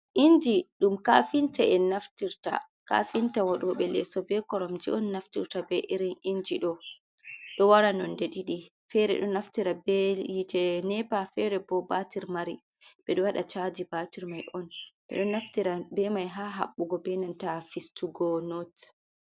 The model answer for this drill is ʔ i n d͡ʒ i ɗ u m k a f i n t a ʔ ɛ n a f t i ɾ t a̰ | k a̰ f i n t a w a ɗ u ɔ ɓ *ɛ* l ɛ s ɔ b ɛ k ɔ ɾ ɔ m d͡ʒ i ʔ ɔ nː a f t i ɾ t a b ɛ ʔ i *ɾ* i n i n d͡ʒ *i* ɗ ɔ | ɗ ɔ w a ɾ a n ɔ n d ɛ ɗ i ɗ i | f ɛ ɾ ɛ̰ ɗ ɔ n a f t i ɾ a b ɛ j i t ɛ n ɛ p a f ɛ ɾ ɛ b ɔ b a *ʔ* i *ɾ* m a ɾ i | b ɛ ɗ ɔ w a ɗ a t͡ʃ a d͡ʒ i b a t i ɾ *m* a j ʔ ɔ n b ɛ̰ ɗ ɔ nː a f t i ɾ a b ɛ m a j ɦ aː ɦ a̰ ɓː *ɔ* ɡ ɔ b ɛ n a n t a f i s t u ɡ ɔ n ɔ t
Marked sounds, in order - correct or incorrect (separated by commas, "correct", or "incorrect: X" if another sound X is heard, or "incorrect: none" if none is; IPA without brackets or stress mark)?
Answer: correct, correct, correct, incorrect: t, correct, correct, incorrect: u